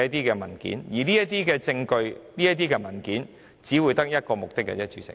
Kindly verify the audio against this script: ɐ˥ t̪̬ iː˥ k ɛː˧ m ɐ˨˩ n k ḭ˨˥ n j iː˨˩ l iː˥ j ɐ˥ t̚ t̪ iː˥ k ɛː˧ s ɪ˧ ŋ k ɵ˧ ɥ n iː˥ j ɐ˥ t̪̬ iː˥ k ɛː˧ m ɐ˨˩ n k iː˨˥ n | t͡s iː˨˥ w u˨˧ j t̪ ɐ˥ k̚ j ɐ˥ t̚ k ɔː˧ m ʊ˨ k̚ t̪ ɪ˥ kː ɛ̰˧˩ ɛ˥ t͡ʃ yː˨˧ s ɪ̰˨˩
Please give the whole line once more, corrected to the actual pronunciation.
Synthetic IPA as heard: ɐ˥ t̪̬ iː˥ k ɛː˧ m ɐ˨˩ n k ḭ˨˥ n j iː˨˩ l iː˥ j ɐ˥ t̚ t̪ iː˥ k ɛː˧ t͡s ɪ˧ ŋ k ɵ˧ ɥ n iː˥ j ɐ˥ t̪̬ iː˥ k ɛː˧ m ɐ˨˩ n k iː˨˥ n | t͡s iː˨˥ w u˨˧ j t̪ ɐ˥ k̚ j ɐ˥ t̚ k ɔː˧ m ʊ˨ k̚ t̪ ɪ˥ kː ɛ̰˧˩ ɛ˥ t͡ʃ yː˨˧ s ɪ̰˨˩